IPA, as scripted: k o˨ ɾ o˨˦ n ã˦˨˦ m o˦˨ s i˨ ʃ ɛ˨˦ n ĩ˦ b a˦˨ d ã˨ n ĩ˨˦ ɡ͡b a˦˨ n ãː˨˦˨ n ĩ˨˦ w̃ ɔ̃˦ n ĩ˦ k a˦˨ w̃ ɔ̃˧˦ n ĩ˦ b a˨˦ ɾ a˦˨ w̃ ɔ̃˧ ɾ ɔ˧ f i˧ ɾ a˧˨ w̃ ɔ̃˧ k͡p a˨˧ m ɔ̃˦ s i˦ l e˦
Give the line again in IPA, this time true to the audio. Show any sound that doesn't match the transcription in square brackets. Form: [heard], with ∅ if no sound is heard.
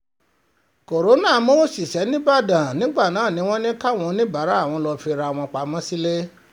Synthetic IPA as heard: k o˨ ɾ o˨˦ n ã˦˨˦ m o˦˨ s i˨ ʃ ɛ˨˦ n ĩ˦ b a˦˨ d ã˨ n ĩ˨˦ ɡ͡b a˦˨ n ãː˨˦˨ n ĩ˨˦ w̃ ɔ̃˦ n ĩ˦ k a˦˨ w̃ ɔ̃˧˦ n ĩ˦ b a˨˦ ɾ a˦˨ w̃ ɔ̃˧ [l] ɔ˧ f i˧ ɾ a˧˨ w̃ ɔ̃˧ k͡p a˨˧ m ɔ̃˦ s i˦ l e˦